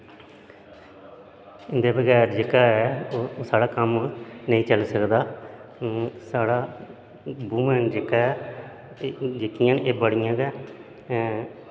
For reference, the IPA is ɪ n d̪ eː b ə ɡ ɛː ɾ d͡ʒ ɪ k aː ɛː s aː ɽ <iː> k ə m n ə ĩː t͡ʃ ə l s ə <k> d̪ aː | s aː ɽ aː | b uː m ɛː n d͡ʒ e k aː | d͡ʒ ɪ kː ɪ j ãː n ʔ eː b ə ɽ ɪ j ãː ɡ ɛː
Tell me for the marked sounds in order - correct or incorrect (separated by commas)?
incorrect, correct